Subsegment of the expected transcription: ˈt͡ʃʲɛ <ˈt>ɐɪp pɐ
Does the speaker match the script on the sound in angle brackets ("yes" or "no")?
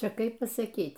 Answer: no